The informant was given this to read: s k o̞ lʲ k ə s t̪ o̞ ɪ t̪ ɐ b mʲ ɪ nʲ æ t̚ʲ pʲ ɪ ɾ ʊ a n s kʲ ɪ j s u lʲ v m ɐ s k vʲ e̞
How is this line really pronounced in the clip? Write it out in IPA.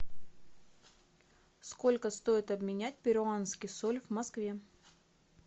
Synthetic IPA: s k o̞ lʲ k ə s t̪ o̞ ɪ t̪ ɐ b mʲ ɪ nʲ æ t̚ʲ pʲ ɪ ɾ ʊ a n s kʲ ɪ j s o lʲ v m ɐ s k vʲ e̞